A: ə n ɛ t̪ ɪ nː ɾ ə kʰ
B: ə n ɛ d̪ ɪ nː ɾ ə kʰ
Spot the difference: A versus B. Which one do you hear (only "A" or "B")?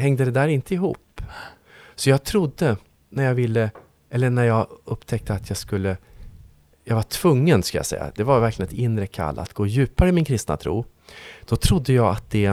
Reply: A